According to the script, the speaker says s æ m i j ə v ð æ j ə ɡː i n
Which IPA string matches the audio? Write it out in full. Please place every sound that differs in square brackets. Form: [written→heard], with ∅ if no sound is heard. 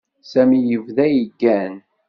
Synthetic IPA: s æ m i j ə v ð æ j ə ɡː [i→æ] n